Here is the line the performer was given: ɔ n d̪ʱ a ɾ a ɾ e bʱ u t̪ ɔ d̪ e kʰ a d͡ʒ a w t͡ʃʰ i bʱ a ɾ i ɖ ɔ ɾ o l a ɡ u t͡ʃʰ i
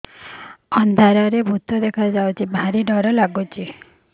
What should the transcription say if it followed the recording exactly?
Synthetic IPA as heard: ɔ n d̪ʱ a ɾ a ɾ e bʱ u t̪ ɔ d̪ e kʰ a d͡ʒ a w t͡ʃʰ i bʱ a ɾ i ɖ ɔ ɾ ɔ l a ɡ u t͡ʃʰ i